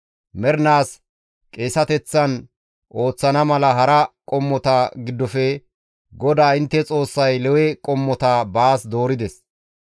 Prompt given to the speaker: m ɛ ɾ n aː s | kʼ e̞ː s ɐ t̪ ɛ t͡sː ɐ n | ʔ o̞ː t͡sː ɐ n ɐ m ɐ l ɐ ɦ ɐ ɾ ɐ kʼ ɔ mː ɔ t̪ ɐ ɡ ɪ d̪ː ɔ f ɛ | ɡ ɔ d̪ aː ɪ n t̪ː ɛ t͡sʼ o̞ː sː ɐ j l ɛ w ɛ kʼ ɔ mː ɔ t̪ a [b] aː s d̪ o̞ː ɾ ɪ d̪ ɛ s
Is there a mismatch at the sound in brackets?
no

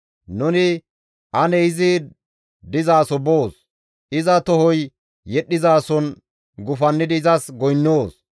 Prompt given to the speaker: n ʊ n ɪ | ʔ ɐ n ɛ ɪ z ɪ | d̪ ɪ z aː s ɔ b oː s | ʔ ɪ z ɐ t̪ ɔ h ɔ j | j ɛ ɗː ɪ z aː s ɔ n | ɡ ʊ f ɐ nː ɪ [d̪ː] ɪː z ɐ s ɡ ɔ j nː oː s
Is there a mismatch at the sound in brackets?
yes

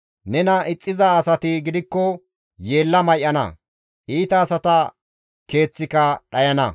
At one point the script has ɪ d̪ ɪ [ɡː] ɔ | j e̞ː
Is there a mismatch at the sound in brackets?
yes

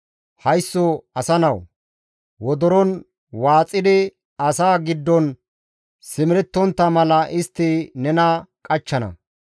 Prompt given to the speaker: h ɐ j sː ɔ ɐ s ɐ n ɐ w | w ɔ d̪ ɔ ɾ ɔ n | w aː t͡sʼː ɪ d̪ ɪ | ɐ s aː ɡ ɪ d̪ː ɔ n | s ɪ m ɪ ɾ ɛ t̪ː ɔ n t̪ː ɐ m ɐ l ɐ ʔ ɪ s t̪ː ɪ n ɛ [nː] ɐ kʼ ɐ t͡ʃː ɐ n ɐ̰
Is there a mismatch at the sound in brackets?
yes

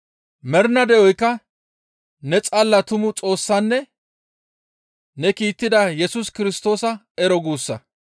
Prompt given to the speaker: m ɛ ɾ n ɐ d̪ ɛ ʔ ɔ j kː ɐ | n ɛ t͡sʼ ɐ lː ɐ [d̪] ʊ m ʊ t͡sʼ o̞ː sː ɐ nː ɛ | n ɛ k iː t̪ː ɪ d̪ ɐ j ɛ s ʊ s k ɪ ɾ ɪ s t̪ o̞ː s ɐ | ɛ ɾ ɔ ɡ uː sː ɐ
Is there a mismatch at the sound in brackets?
yes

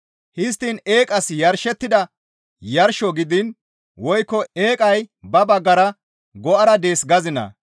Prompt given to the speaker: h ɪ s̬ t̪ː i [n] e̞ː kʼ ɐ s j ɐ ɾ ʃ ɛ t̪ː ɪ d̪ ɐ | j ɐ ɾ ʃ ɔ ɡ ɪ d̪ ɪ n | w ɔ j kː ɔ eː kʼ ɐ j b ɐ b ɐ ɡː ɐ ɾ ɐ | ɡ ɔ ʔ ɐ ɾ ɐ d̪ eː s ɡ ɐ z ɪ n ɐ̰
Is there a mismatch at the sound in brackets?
no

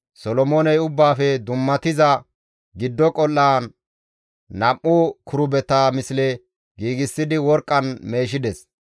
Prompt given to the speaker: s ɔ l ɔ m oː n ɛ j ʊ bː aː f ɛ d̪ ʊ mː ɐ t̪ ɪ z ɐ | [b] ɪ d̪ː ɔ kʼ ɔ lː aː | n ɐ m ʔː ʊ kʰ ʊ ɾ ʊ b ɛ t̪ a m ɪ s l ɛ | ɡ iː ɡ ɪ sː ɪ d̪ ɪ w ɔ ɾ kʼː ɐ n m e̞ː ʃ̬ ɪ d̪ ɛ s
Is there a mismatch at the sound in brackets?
yes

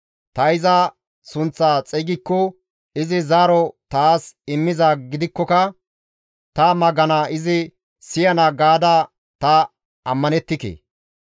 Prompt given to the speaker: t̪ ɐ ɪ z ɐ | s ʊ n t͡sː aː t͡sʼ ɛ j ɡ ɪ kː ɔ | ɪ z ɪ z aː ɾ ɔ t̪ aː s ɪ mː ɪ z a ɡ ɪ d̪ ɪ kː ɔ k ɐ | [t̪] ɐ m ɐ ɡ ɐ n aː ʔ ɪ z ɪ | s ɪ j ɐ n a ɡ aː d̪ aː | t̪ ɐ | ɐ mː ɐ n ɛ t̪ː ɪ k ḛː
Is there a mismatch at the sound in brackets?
no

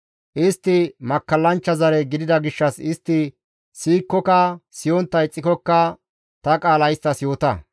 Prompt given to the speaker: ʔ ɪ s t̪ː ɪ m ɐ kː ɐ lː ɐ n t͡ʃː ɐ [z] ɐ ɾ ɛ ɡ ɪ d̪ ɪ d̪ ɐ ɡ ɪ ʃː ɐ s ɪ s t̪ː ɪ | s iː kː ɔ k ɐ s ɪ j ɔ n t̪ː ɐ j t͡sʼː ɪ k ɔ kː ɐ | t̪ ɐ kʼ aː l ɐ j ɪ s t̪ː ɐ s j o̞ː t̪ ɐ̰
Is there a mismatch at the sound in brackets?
no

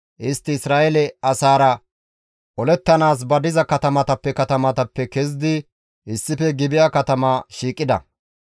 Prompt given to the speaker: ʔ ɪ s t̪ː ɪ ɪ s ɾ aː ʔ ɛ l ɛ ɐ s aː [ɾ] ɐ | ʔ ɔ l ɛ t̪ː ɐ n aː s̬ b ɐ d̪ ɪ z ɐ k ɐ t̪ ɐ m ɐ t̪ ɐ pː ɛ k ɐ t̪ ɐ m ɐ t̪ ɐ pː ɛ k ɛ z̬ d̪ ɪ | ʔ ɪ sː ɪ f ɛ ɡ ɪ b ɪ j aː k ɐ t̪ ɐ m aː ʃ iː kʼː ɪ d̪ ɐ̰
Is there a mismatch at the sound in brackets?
no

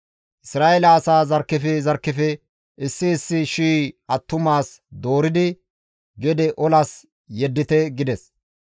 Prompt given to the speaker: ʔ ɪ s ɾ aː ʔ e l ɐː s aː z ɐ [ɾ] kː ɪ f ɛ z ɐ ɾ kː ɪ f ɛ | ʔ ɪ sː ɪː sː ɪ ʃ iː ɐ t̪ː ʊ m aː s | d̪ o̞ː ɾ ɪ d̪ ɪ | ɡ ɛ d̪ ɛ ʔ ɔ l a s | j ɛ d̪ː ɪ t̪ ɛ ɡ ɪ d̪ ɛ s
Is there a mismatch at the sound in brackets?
no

